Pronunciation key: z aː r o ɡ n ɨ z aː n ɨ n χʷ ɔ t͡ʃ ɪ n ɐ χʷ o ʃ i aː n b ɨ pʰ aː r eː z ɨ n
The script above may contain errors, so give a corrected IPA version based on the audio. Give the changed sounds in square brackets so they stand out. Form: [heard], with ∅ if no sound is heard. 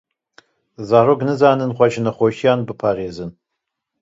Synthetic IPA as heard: z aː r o ɡ n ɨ z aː n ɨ n χʷ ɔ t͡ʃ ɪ n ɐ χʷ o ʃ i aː n b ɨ pʰ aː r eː z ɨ n